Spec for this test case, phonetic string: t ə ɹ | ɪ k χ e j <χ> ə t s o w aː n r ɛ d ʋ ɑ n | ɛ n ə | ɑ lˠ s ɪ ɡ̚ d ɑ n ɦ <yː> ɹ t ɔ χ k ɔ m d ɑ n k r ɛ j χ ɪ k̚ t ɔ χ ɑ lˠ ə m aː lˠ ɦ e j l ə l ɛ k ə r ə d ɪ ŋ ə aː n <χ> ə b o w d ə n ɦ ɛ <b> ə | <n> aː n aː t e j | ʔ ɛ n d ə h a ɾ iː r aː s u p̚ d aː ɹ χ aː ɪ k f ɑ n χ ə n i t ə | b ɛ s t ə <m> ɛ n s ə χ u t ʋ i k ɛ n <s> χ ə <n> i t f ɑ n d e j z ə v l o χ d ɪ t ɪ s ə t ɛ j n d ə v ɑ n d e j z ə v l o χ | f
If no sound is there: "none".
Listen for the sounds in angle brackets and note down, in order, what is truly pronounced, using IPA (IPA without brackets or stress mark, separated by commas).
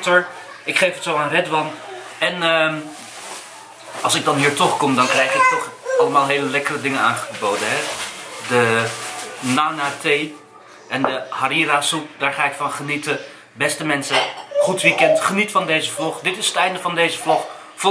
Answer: f, iː, χ, d, n, m, t, n